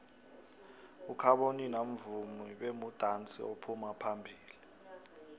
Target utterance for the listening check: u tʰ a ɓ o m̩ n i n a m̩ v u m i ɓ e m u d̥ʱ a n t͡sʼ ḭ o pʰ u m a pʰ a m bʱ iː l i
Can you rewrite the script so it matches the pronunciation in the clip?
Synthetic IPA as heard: u kʰ a ɓ o n i n a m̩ v u m i ɓ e m u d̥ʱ a n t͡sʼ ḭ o pʰ u m a pʰ a m bʱ iː l i